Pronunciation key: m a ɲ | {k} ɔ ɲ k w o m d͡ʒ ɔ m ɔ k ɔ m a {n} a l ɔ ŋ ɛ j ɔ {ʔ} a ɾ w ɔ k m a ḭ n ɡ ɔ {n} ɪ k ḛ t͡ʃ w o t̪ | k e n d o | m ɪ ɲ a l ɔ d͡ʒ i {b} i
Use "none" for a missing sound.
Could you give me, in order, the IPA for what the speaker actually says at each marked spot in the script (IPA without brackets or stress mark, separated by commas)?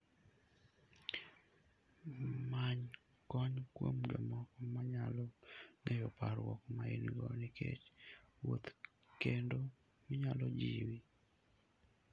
k, ɲ, p, n, w